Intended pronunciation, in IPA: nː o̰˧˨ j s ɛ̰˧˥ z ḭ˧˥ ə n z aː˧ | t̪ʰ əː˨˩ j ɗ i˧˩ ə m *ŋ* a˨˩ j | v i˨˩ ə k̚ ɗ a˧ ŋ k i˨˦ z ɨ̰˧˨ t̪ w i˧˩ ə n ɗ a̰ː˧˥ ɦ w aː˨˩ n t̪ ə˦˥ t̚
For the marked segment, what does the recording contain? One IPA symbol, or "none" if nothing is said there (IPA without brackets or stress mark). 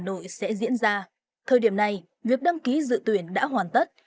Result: n